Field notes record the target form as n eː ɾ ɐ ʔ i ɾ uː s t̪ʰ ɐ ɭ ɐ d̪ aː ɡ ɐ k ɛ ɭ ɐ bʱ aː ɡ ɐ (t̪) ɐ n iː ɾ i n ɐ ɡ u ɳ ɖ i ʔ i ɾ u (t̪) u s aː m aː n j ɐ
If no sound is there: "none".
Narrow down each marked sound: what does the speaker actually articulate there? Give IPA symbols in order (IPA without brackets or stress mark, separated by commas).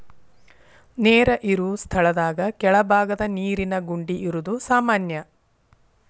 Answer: d̪, d̪